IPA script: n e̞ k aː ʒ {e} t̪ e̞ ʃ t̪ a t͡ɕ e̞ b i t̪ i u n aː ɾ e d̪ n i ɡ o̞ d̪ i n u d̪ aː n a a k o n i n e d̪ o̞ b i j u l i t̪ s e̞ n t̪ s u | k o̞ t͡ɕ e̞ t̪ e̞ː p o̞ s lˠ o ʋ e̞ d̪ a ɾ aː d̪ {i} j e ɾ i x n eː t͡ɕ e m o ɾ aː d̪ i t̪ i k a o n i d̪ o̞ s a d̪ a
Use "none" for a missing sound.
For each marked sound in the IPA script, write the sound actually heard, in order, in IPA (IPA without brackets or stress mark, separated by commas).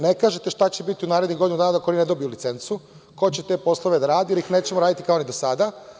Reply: e, i